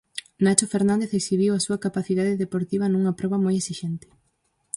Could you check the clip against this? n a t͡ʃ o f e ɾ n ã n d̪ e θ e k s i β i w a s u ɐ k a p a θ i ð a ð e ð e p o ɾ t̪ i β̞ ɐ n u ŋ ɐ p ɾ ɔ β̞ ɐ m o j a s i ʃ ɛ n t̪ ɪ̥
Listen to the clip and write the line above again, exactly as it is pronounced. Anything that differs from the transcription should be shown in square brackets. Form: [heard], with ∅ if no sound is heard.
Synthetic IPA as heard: n a t͡ʃ o f e ɾ n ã n d̪ e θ e k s i β i w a s u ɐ k a p a θ i ð a ð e ð e p o ɾ t̪ i β̞ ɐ n u ŋ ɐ p ɾ ɔ β̞ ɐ m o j [e] s i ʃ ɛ n t̪ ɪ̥